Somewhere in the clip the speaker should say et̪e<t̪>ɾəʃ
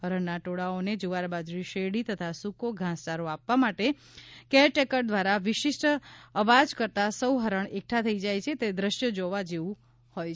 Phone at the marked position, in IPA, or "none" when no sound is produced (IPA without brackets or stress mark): d̪